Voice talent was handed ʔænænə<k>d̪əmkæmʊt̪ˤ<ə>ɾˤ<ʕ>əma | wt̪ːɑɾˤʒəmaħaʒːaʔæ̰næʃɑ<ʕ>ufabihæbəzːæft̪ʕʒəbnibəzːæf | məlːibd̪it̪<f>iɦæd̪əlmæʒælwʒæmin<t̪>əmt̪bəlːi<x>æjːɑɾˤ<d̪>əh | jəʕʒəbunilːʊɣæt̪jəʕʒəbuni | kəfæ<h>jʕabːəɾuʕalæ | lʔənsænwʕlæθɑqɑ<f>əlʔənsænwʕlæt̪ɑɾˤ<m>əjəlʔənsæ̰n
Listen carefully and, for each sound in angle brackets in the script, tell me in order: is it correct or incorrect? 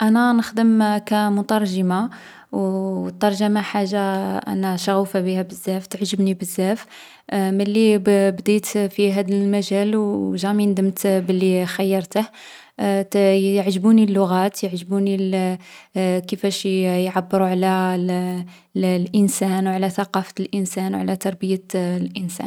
incorrect, incorrect, incorrect, incorrect, correct, incorrect, correct, incorrect, incorrect, correct, incorrect

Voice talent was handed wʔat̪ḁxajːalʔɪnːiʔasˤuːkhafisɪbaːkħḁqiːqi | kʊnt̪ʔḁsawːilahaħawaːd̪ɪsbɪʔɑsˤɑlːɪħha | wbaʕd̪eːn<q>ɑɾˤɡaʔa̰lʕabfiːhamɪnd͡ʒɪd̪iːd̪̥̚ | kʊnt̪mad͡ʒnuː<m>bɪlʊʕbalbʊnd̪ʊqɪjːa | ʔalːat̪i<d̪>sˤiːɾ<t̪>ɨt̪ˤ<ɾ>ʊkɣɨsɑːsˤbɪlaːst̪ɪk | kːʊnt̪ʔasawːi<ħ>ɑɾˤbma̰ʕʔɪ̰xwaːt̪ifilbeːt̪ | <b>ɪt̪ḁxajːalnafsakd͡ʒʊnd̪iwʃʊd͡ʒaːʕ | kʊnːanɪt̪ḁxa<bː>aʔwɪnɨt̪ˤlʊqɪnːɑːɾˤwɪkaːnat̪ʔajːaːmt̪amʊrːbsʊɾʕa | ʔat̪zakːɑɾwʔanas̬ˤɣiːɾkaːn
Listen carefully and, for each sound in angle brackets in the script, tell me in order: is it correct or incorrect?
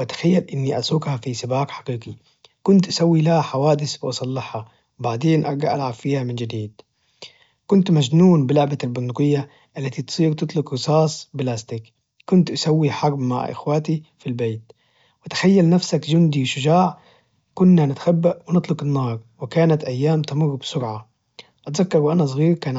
incorrect, incorrect, incorrect, correct, incorrect, correct, incorrect, correct

